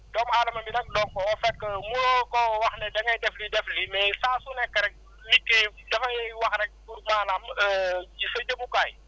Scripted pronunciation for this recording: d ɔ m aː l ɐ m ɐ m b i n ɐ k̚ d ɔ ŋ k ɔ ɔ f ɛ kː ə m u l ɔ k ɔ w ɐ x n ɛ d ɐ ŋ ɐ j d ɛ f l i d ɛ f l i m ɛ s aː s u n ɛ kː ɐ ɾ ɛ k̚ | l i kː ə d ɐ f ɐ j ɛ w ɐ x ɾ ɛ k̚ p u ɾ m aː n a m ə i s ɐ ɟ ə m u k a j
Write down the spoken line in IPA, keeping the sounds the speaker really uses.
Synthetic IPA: d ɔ m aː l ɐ m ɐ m b i n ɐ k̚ d ɔ ŋ k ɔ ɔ f ɛ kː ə m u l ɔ k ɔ w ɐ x n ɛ d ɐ ŋ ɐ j d ɛ f l i d ɛ f l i m ɛ s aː s u n ɛ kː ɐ ɾ ɛ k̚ | l i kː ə d ɐ f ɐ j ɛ w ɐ x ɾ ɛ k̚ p u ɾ m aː n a m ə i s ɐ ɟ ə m u k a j